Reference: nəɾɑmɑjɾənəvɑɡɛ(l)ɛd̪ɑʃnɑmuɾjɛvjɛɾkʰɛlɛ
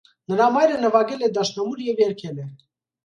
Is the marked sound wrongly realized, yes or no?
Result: no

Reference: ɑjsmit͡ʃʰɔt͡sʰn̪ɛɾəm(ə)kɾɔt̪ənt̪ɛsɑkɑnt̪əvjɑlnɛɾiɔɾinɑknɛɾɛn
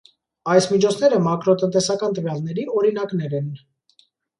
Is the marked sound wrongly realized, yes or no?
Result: yes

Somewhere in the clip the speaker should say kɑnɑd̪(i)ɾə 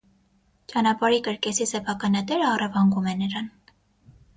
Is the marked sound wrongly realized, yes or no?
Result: yes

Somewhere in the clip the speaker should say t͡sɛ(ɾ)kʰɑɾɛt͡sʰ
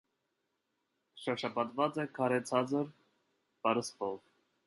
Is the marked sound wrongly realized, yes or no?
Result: yes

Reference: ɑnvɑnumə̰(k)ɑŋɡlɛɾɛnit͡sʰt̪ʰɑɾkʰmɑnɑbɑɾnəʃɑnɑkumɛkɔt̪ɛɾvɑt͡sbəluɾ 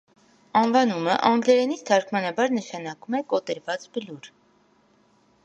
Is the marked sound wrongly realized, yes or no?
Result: yes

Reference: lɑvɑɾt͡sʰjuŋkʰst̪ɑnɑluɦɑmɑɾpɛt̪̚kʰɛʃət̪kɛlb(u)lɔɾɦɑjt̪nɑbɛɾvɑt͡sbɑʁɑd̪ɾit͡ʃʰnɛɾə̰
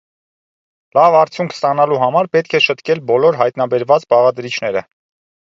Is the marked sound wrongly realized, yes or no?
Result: yes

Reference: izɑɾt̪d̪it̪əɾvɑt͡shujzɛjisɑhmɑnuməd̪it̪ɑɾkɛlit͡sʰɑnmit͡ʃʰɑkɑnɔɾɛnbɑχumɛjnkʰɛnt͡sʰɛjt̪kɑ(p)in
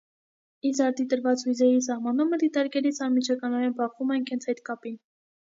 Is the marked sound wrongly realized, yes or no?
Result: no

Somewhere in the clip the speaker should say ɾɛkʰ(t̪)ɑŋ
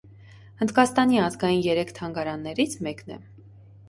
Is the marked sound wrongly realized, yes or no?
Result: yes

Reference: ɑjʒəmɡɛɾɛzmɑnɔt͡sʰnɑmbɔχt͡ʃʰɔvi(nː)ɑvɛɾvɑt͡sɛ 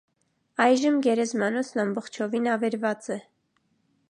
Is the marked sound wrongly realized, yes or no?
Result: yes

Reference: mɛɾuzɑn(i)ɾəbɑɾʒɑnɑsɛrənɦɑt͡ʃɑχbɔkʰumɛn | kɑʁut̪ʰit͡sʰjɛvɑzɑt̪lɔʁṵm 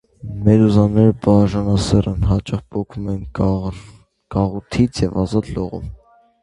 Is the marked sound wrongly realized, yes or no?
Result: yes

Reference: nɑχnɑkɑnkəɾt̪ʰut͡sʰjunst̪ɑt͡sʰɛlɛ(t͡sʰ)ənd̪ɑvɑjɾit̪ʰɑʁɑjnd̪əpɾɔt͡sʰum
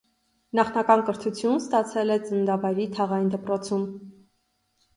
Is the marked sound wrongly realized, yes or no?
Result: yes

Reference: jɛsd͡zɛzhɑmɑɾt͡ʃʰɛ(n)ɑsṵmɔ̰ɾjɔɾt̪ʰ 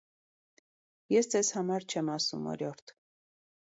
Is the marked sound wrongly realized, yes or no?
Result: yes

